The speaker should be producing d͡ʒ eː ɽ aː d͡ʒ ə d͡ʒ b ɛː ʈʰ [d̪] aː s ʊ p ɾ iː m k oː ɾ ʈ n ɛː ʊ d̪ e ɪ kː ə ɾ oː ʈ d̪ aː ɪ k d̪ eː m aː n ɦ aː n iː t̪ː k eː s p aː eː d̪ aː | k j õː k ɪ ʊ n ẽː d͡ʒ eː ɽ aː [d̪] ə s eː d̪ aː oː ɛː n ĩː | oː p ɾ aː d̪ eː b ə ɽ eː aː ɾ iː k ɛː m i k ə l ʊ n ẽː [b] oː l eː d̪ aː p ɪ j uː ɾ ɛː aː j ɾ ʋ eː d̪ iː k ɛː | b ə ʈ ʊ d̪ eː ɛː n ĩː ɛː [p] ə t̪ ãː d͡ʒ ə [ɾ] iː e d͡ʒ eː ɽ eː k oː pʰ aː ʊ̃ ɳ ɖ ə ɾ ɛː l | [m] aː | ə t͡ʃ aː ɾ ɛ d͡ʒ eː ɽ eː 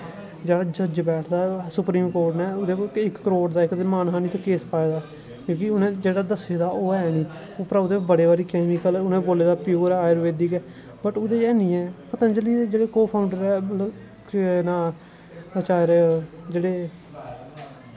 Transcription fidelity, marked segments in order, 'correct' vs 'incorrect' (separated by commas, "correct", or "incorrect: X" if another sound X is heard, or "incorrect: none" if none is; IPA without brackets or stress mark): correct, correct, correct, correct, incorrect: l, incorrect: n